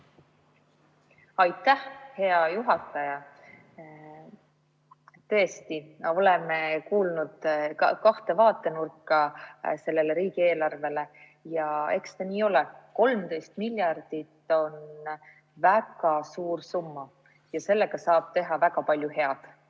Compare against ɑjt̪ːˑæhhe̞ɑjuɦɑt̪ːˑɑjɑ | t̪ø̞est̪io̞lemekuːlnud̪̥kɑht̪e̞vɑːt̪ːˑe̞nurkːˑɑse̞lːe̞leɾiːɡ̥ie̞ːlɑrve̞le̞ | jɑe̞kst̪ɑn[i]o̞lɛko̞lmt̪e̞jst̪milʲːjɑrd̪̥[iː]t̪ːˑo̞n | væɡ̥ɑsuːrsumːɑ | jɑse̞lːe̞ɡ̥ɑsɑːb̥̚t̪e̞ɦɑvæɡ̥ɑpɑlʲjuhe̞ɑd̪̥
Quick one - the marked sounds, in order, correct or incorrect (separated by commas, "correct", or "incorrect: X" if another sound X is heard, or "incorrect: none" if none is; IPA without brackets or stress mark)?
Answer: incorrect: iː, incorrect: i